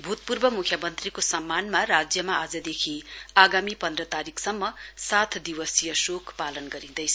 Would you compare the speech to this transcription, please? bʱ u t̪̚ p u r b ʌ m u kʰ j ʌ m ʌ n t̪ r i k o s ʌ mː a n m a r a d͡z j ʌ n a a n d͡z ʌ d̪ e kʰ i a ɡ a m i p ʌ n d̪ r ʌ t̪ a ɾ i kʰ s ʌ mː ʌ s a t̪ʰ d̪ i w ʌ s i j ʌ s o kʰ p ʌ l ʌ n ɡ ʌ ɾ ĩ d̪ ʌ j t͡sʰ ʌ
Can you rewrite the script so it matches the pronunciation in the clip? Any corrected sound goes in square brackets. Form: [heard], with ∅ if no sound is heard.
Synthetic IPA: bʱ u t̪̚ p u r b ʌ m u kʰ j ʌ m ʌ n t̪ r i k o s ʌ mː a n m a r a d͡z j ʌ [m] a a [∅] d͡z ʌ d̪ e kʰ i a ɡ a m i p ʌ n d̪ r ʌ t̪ a ɾ i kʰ s ʌ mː ʌ s a t̪ʰ d̪ i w ʌ s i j ʌ s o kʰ p [a] l ʌ n ɡ ʌ ɾ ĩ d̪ ʌ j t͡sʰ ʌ